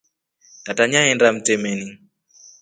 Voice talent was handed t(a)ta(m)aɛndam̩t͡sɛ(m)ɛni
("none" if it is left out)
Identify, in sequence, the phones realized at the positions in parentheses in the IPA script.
a, ɲ, m

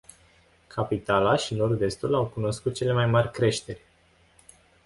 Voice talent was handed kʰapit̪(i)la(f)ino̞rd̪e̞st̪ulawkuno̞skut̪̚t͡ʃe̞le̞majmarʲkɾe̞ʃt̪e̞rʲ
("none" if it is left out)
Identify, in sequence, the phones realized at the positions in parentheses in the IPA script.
a, ʃ

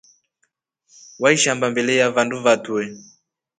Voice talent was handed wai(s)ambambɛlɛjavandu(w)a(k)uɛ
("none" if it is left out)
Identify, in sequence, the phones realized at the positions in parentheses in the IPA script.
ʃ, v, t

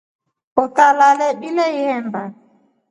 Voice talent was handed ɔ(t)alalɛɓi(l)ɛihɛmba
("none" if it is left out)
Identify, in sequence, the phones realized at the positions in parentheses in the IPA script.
t, l

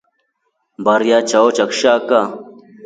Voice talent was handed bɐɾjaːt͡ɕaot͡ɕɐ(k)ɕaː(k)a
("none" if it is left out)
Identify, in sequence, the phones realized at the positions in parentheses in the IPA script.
k, k

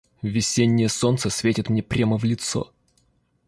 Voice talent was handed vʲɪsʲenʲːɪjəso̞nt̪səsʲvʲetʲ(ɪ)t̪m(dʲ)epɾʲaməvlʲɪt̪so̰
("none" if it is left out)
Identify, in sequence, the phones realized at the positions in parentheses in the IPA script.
ɪ, nʲ

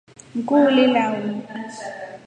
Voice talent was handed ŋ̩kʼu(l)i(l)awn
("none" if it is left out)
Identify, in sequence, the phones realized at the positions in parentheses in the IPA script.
l, l

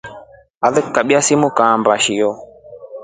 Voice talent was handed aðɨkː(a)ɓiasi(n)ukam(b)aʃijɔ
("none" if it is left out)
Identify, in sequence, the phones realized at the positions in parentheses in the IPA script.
a, m, b

